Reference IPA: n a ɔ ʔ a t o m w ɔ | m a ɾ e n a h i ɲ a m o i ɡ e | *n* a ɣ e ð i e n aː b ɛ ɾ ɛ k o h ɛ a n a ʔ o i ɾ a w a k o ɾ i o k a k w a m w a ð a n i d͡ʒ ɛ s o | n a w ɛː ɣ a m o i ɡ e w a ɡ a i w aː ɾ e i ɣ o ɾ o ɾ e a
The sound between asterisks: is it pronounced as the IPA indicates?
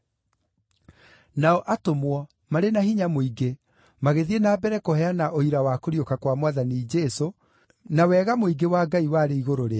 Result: no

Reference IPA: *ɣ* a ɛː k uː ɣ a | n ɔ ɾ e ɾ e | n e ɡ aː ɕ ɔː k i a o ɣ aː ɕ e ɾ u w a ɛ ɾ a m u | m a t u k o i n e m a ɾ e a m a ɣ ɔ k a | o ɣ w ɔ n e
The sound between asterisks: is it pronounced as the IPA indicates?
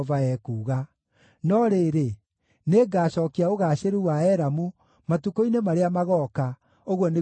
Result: no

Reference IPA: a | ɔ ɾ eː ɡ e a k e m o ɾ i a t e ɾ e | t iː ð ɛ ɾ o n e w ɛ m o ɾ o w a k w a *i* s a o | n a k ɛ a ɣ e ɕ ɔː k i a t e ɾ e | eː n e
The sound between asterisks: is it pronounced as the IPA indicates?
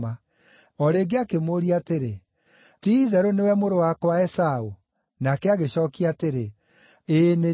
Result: no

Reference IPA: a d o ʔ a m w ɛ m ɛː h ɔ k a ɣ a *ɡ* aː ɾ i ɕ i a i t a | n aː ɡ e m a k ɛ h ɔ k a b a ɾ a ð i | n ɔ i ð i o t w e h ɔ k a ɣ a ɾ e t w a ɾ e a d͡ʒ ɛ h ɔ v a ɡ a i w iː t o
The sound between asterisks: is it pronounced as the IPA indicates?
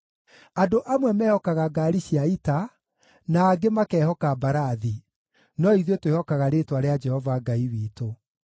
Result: yes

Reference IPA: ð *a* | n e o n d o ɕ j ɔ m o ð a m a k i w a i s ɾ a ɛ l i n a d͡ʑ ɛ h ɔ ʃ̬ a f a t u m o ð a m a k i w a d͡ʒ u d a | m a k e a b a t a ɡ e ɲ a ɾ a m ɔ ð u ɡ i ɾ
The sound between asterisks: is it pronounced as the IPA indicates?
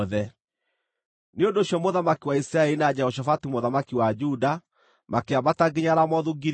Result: no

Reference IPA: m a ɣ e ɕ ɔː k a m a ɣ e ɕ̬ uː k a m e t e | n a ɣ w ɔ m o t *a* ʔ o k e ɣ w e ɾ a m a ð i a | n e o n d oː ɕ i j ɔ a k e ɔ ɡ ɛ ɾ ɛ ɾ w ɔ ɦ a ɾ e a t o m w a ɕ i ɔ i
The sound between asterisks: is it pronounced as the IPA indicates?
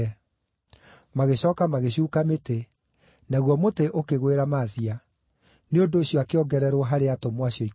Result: no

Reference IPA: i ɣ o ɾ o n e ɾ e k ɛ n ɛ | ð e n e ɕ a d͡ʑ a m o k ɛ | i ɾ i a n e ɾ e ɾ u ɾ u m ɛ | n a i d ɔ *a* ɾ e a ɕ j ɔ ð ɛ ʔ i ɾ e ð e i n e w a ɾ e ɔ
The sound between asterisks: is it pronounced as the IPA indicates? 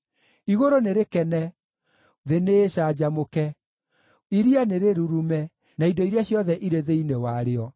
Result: no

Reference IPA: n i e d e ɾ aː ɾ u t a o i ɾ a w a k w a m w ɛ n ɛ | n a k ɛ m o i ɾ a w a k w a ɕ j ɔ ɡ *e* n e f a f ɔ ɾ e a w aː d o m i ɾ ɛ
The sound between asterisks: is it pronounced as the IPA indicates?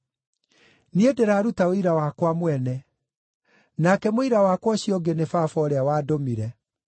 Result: yes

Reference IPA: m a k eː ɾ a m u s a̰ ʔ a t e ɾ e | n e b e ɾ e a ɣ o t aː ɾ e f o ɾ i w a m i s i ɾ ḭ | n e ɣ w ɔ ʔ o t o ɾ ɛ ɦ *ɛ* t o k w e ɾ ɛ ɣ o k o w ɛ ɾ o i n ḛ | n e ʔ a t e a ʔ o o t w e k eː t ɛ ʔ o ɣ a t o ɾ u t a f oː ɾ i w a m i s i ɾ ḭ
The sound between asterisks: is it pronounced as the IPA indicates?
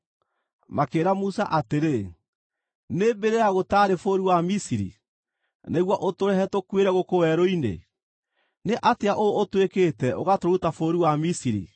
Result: yes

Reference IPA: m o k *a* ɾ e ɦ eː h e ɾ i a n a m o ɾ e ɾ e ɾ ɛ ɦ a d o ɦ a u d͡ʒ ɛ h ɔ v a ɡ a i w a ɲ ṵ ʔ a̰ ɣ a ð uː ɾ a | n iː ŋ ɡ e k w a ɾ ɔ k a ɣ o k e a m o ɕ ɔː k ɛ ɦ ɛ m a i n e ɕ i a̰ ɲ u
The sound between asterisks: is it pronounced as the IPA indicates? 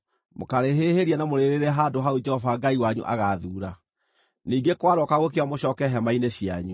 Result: yes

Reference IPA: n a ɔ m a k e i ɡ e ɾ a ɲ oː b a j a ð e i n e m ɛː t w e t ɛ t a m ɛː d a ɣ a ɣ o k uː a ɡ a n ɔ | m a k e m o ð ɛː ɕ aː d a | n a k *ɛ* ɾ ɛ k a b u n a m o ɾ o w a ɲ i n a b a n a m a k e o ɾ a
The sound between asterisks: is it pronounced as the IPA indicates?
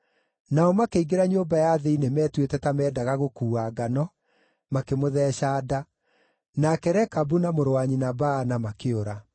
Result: yes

